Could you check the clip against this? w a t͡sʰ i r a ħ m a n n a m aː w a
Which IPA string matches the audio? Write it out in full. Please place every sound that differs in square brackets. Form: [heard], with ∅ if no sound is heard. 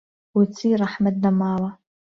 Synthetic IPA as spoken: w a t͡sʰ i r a ħ m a [d] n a m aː w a